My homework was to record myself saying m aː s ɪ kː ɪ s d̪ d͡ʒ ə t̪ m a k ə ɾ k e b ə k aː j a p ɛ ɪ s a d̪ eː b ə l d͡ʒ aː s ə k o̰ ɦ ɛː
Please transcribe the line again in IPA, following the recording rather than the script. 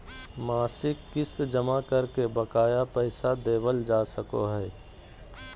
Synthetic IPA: m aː s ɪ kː ɪ s t̪ d͡ʒ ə m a k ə ɾ k e b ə k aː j a p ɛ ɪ s a d̪ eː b ə l d͡ʒ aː s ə k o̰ ɦ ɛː